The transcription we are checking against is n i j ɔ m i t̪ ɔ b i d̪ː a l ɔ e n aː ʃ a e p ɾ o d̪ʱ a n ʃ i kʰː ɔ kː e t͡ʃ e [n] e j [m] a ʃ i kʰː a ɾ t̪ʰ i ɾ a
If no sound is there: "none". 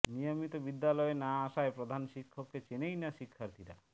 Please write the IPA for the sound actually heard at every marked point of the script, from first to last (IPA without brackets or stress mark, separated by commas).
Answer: n, n